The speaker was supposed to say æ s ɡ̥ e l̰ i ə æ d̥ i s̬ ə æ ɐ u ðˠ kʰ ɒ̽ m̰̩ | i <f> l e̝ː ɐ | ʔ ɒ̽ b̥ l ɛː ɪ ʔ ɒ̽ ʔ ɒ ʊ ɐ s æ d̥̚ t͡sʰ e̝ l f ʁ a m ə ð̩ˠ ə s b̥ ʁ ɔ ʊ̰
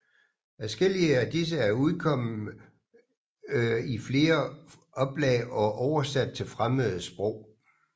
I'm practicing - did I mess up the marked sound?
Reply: no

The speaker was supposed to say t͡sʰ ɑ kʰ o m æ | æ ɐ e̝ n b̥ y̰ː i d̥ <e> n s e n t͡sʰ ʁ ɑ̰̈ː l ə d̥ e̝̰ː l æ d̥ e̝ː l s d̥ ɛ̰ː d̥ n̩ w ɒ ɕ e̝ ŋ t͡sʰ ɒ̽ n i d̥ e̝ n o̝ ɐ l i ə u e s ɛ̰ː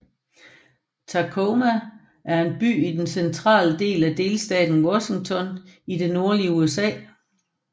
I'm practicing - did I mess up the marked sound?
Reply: no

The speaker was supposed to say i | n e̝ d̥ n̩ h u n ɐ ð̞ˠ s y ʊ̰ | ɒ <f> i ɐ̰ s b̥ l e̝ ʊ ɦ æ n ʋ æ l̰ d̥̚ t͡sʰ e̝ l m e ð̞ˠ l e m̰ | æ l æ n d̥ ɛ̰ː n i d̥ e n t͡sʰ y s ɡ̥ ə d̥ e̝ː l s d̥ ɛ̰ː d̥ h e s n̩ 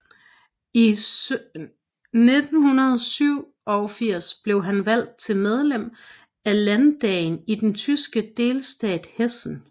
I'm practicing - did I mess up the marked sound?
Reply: no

